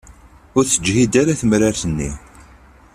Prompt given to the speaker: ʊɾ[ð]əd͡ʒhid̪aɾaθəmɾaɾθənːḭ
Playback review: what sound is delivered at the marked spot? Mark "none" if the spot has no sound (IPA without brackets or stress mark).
θ